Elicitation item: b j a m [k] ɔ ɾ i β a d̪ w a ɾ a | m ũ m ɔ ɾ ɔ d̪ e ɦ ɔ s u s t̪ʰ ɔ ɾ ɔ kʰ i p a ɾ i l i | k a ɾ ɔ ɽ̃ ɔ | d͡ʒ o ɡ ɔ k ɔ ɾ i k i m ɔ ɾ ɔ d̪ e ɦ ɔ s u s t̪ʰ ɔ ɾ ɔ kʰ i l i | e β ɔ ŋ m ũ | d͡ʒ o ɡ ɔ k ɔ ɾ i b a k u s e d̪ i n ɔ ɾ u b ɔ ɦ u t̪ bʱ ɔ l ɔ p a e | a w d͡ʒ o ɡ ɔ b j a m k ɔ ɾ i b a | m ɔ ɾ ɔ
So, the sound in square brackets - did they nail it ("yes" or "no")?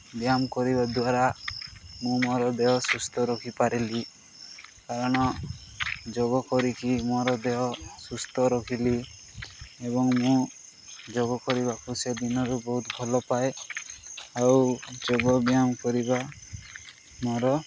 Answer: yes